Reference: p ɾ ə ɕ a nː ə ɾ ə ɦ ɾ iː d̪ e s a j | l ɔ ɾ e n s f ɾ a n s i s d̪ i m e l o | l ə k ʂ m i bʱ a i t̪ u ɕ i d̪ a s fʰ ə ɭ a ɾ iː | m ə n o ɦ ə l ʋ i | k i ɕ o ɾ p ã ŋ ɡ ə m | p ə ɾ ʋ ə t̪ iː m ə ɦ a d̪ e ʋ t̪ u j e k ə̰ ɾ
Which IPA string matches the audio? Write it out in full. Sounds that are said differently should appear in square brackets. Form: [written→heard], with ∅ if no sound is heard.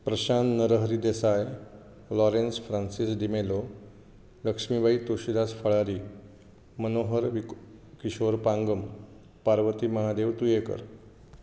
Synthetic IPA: p ɾ ə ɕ a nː ə ɾ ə ɦ ɾ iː d̪ e s a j | l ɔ ɾ e n s f ɾ a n s i s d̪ i m e l o | l ə k ʂ m i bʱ a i t̪ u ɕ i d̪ a s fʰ ə ɭ a ɾ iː | m ə n o ɦ ə [l→ɾ] ʋ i | k i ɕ o ɾ p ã ŋ ɡ ə m | p [ə→a] ɾ ʋ ə t̪ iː m ə ɦ a d̪ e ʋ t̪ u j e k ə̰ ɾ